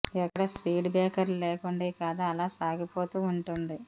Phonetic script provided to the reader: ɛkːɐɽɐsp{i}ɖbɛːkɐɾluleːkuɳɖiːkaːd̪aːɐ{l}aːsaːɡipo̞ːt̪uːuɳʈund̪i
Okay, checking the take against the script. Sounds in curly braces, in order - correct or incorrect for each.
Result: incorrect: iː, correct

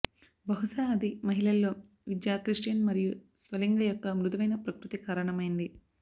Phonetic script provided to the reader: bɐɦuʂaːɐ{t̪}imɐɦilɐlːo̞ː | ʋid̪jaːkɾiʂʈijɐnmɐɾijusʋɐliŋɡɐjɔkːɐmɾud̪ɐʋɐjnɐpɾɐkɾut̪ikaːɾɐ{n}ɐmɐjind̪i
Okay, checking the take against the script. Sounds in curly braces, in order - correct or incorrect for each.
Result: incorrect: d̪, incorrect: ɳ

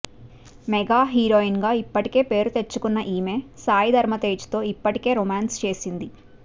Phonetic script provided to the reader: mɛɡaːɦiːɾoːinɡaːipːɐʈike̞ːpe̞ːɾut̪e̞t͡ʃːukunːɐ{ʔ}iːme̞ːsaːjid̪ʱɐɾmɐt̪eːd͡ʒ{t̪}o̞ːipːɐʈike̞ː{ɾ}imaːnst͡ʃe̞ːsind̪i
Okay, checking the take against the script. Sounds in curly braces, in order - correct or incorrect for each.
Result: correct, correct, correct

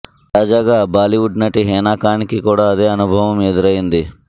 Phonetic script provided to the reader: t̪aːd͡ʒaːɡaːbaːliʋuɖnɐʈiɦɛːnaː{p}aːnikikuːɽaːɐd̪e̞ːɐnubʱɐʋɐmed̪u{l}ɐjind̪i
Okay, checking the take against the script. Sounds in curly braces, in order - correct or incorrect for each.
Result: incorrect: k, incorrect: ɾ

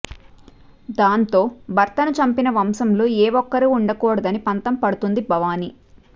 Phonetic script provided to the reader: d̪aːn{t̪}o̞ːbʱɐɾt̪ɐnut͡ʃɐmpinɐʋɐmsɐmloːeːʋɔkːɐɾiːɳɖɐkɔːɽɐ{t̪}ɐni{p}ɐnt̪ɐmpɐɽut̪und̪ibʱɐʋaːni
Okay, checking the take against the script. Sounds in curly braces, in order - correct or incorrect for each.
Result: correct, incorrect: d̪, correct

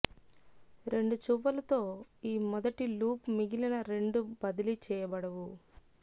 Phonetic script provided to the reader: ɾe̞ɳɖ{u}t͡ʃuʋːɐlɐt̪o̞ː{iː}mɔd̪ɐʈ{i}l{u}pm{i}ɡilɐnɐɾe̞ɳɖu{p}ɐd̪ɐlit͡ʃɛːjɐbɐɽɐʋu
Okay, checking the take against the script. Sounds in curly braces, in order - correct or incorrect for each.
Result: correct, correct, correct, incorrect: uː, correct, incorrect: b

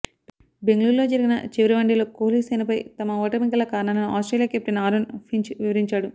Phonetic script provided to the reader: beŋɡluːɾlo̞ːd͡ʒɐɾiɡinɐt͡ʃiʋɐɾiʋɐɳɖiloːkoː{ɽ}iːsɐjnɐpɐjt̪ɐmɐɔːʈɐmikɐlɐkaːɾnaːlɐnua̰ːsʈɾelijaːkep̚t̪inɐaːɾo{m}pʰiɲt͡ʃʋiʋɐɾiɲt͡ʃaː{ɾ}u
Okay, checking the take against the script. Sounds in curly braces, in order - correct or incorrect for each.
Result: incorrect: l, incorrect: n, incorrect: ɽ

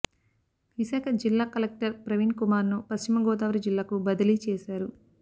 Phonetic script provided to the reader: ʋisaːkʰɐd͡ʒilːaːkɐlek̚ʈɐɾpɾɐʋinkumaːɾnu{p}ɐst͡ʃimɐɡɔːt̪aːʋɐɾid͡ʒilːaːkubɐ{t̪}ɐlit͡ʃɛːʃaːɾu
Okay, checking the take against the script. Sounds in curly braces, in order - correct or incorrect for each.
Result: correct, incorrect: d̪

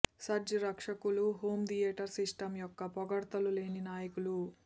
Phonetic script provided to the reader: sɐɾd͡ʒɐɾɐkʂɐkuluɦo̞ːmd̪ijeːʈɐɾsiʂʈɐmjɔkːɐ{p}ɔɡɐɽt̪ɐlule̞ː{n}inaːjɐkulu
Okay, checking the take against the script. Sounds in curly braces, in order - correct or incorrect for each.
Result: correct, correct

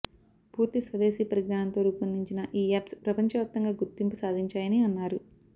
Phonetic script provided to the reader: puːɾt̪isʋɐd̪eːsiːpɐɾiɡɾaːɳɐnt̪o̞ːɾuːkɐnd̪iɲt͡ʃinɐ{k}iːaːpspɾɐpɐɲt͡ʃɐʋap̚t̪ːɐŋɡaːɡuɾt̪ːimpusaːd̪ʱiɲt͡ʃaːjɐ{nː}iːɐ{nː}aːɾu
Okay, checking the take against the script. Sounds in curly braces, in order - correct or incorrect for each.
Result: incorrect: ʔ, incorrect: n, correct

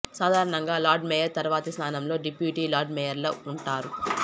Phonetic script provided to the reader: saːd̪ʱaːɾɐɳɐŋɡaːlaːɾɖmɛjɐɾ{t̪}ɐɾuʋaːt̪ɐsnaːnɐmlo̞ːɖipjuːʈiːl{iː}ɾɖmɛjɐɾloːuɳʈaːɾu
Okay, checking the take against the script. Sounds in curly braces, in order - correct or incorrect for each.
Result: correct, incorrect: aː

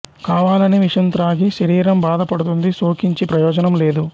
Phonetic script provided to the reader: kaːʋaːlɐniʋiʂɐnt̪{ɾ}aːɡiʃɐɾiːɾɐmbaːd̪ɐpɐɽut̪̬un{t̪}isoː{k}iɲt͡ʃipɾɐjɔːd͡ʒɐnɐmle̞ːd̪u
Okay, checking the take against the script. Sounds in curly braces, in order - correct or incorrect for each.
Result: correct, incorrect: d̪, correct

